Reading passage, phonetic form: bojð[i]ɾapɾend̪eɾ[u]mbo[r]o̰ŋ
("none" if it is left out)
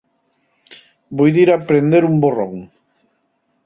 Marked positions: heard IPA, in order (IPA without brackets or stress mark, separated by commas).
i, u, r